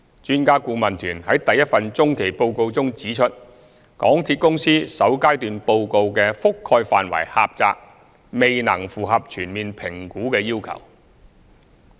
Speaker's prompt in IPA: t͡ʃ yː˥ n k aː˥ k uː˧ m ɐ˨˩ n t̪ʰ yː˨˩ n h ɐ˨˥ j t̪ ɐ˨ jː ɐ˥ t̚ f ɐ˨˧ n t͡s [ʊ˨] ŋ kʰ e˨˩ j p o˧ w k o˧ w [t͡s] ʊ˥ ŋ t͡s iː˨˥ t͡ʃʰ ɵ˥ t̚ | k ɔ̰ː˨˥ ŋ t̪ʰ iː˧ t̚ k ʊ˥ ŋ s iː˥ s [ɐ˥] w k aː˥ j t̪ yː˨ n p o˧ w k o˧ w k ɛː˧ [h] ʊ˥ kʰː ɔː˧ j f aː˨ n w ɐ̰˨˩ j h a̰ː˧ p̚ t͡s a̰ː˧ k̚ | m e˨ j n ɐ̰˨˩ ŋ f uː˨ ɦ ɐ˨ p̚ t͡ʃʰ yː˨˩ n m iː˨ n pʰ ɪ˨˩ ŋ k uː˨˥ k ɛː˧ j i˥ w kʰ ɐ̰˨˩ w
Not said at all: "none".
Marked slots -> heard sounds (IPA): ʊ˥, t͡s, ɐ˨˥, f

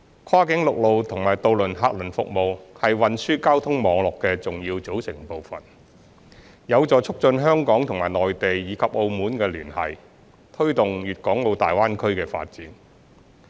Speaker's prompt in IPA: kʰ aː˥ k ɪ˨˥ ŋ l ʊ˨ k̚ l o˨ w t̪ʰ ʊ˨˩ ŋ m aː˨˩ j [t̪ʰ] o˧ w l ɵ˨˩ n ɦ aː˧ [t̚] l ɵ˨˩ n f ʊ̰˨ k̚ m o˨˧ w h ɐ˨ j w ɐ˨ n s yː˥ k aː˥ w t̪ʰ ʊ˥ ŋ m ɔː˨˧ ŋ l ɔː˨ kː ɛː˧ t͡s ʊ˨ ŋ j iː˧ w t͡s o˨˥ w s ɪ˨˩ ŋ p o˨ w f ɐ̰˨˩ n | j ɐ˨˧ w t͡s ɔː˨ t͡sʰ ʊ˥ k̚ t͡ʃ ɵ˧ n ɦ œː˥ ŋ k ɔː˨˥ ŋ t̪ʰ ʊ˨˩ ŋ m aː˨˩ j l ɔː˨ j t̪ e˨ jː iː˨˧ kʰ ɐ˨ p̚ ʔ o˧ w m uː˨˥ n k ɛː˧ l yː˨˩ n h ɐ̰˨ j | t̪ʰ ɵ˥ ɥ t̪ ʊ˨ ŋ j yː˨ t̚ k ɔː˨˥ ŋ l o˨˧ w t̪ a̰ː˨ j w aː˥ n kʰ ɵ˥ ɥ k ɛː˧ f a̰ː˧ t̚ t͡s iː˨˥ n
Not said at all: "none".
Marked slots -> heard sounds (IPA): t̪, k̚

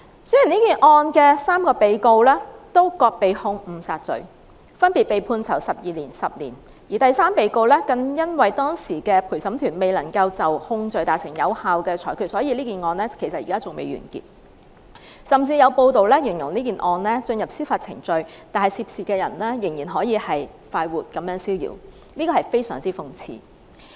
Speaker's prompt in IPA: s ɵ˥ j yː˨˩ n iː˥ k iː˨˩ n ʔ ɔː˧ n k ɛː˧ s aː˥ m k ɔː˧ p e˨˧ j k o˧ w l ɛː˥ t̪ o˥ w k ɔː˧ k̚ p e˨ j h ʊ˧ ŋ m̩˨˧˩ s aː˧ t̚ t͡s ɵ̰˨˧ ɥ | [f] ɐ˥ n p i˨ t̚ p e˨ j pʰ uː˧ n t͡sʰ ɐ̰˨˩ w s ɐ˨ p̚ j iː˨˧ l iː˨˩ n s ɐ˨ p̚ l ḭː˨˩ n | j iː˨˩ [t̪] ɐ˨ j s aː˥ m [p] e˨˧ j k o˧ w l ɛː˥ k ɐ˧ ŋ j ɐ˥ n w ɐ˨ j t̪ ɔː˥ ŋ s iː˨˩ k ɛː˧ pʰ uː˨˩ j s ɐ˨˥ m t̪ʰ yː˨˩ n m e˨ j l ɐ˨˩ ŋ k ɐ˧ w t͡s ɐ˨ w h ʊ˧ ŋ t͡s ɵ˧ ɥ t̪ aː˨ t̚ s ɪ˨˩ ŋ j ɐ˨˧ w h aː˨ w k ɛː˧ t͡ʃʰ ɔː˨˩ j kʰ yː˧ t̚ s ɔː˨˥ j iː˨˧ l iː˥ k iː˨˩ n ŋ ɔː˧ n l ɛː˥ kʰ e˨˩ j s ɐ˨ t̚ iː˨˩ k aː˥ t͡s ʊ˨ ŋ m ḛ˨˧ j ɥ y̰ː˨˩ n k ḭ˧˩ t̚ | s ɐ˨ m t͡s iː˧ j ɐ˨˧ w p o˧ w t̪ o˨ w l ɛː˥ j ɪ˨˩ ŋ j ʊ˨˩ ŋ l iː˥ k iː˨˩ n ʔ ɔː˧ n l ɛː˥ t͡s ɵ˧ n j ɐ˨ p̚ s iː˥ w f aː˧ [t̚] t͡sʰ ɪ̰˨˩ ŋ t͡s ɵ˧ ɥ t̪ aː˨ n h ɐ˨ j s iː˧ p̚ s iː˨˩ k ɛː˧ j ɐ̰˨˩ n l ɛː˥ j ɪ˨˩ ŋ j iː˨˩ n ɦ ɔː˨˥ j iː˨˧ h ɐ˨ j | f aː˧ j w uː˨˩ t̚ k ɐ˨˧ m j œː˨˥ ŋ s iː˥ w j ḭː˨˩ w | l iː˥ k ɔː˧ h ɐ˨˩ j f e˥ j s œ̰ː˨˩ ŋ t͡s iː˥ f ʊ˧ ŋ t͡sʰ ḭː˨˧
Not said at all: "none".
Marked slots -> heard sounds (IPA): f, t̪, p, t̚

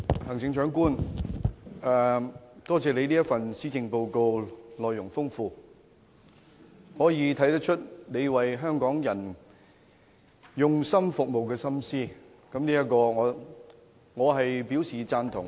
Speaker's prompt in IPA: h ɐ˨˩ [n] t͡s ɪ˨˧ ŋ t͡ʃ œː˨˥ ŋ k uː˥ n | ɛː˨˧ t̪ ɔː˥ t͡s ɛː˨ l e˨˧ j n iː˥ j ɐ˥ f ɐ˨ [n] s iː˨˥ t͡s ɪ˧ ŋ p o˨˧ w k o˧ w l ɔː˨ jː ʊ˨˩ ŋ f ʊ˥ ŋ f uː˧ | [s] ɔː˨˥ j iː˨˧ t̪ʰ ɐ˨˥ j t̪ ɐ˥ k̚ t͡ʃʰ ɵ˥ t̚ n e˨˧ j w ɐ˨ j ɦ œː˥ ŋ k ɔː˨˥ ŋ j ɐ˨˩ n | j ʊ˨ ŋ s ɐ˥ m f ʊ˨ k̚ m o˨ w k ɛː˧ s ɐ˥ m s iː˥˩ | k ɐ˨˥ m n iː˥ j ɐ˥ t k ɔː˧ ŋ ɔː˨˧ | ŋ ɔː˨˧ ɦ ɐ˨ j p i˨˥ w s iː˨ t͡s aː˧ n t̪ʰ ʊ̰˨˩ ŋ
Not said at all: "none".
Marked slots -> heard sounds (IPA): ŋ, n, h

